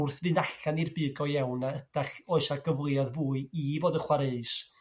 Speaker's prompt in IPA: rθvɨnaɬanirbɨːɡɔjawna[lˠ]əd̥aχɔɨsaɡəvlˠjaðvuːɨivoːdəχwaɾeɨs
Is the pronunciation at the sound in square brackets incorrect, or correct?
incorrect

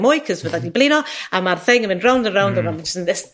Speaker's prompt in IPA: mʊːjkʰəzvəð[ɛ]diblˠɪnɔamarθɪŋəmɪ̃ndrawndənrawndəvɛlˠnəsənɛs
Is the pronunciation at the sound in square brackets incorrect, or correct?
incorrect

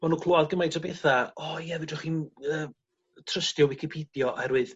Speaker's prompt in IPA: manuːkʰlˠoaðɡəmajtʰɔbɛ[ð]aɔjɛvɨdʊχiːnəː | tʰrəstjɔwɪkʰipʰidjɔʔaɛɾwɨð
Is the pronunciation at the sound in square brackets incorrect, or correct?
incorrect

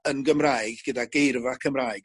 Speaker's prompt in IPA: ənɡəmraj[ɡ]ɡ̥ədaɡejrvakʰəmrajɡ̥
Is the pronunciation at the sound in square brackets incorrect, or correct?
correct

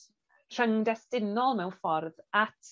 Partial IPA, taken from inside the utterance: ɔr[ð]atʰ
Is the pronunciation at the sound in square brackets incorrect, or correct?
correct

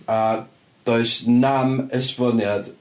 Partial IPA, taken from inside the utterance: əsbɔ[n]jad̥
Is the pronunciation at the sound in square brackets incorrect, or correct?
correct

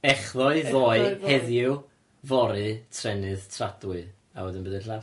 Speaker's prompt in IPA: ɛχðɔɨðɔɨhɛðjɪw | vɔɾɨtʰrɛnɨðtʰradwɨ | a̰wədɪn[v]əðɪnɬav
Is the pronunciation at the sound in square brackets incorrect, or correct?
incorrect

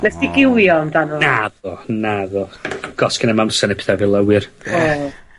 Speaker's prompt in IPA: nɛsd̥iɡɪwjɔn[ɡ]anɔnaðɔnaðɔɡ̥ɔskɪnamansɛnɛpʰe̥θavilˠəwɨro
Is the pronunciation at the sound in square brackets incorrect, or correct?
incorrect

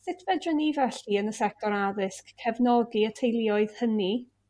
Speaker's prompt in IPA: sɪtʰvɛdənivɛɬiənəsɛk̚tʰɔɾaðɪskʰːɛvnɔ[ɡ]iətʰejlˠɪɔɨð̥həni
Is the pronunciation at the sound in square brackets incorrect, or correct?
correct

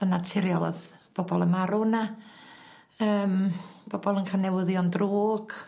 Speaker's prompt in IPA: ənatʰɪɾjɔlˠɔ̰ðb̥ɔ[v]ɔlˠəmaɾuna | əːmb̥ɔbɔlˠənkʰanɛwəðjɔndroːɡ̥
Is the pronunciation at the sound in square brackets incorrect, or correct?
incorrect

